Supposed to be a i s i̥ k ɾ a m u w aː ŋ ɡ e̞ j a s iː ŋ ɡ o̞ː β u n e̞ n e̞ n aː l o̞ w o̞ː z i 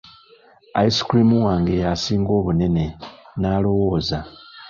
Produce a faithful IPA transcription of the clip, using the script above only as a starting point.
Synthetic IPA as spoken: a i s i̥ k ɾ i m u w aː ŋ ɡ e̞ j a s iː ŋ ɡ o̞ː β u n e̞ n e̞ n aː l o̞ w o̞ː z a

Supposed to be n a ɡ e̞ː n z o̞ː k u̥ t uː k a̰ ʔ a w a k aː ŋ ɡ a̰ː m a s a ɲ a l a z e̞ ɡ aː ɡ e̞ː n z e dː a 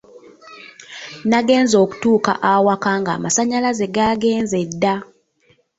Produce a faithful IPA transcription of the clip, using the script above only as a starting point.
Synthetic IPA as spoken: n a ɡ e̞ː n z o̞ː k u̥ t uː k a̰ ʔ a w a k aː ŋ ɡ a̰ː m a s a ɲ a l a z e̞ ɡ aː ɡ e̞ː n z e dː a

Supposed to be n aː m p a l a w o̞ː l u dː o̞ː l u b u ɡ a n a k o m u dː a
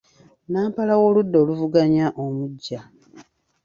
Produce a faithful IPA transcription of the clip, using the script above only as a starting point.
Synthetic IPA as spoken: n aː m p a l a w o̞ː l u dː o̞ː l u v u ɡ a ɲ a ʔ o m u ɟː a

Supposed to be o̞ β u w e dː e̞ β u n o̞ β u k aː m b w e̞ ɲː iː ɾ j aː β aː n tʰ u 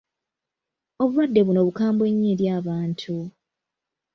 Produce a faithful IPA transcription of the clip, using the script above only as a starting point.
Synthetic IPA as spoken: o̞ β u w a dː e̞ β u n o̞ β u k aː m b w e̞ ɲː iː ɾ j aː β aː n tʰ u

